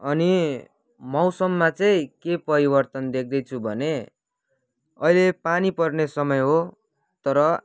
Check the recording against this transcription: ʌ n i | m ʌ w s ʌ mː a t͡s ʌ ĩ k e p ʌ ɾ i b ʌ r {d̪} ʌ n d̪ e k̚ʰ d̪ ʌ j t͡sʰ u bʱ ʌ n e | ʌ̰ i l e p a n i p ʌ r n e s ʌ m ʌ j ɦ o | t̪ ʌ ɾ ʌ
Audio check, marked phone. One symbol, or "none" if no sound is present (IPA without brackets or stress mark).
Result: t̪